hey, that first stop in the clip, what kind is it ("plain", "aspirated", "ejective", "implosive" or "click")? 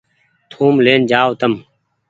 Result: aspirated